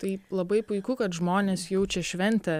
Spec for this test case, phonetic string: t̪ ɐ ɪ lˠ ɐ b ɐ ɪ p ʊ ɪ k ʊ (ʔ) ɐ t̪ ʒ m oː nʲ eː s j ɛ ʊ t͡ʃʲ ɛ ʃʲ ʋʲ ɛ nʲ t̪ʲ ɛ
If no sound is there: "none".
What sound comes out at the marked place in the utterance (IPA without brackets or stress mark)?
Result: k